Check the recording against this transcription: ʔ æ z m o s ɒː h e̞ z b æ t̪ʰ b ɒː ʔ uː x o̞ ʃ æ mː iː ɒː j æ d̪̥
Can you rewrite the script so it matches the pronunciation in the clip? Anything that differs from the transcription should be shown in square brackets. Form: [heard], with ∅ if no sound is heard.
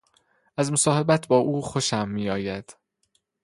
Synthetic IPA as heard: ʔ æ z m o s ɒː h e̞ [∅] b æ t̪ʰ b ɒː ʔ uː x o̞ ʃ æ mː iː ɒː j æ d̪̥